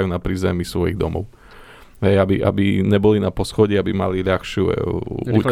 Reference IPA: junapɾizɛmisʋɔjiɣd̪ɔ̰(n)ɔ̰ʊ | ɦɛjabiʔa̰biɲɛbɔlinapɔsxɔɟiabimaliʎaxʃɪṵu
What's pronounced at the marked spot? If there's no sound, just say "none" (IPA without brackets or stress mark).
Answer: m